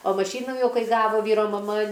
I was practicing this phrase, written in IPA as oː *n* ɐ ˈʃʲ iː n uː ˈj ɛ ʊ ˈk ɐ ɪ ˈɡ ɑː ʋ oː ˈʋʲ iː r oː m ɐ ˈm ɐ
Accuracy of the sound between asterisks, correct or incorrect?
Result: incorrect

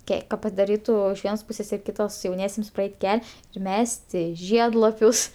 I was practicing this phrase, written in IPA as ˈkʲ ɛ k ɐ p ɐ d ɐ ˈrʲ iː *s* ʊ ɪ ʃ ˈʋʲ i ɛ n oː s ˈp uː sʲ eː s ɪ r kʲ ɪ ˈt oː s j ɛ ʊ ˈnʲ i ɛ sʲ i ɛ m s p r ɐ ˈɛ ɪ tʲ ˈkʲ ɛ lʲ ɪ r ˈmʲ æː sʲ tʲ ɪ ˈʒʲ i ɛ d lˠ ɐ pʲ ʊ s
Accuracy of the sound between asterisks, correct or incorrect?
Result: incorrect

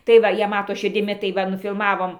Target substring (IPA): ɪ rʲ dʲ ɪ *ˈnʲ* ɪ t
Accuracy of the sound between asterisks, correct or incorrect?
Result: incorrect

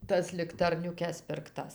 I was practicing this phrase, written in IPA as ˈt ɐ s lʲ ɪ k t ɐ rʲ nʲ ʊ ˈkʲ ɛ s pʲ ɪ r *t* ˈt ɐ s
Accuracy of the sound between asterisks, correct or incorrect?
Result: incorrect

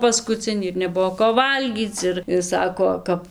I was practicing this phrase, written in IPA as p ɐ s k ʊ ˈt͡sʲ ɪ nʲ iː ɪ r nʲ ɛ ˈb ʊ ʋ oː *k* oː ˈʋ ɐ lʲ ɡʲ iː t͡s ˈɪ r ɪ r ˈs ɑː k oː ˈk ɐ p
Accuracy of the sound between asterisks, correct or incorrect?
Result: correct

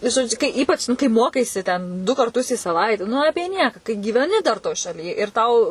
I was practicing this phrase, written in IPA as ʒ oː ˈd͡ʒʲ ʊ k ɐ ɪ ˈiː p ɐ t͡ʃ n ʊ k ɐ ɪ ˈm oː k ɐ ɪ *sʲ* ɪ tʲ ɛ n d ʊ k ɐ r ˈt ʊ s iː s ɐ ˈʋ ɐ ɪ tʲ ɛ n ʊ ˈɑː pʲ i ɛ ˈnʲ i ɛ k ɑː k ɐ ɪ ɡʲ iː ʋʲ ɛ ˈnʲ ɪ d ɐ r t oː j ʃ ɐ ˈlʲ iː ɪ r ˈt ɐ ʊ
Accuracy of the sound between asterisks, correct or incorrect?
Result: correct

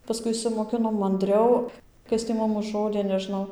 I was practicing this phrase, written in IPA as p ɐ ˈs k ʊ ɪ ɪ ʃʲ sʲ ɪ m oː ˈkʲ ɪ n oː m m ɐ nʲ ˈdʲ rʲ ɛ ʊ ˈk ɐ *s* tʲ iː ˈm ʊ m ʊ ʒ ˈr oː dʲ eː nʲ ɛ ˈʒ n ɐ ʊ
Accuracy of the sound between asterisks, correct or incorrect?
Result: correct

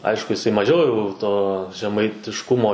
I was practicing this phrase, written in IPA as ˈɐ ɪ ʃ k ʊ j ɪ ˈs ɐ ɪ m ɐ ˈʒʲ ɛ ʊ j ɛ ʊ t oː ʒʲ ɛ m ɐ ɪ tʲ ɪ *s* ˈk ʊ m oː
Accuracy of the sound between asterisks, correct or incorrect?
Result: incorrect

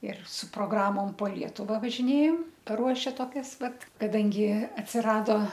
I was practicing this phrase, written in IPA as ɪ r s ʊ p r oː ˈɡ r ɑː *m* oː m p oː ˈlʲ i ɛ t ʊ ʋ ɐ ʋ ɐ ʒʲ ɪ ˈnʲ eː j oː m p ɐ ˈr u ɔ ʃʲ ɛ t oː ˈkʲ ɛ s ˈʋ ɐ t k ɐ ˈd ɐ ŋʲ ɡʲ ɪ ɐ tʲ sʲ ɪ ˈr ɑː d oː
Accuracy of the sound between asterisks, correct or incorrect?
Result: correct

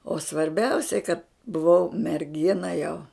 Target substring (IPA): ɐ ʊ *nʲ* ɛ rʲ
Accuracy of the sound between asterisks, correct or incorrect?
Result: incorrect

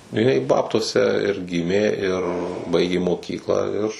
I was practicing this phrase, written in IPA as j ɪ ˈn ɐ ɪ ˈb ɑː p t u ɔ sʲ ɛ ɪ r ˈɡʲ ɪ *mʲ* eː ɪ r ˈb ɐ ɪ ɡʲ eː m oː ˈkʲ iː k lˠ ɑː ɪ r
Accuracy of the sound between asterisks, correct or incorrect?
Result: correct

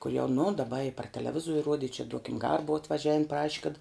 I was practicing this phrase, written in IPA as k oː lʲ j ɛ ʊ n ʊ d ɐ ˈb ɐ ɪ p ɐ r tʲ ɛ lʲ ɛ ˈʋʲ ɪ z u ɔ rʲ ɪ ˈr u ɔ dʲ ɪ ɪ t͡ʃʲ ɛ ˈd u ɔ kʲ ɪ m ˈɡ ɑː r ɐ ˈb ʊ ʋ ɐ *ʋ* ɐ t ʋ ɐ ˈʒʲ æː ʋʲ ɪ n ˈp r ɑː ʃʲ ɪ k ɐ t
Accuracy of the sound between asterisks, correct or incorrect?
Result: incorrect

